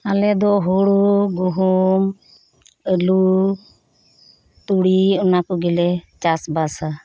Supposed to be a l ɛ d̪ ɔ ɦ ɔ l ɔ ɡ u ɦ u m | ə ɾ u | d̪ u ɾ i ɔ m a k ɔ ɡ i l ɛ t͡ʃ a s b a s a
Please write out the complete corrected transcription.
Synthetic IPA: a l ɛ d̪ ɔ ɦ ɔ ɽ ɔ ɡ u ɦ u m | ə l u | t̪ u ɽ i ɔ n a k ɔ ɡ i l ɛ t͡ʃ a s b a s a